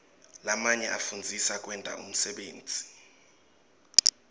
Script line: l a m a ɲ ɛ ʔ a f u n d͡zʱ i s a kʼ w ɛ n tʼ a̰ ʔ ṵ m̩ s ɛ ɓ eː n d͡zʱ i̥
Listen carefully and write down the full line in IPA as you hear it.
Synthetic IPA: l a m a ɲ ɛ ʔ a f u n d͡zʱ i s a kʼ w ɛ n tʼ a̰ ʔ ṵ m̩ s ɛ ɓ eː n d͡zʱ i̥